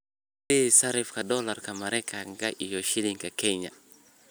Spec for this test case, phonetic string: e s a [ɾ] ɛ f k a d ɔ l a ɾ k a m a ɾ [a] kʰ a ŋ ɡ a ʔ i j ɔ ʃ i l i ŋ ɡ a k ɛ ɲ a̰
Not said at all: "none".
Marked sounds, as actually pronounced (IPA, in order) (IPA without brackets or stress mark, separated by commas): ɾ, ɛ